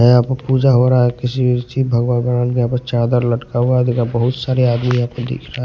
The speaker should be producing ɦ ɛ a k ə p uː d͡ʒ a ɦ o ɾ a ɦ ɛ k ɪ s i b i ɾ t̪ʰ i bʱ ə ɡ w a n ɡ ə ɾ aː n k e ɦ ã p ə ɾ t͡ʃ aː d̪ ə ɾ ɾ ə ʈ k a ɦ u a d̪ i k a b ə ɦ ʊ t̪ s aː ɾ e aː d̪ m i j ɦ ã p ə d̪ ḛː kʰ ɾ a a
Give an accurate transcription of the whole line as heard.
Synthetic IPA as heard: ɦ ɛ a p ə p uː d͡ʒ a ɦ o ɾ a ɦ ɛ k ɪ s i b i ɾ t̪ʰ i bʱ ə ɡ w a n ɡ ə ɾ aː n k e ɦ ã p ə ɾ t͡ʃ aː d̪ ə ɾ l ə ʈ k a ɦ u a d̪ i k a b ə ɦ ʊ t̪ s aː ɾ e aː d̪ m i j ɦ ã p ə d̪ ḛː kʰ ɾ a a